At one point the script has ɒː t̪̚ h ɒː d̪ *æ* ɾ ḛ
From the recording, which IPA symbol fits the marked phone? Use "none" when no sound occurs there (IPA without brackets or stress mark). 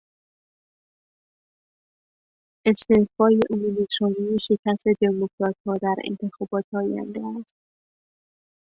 æ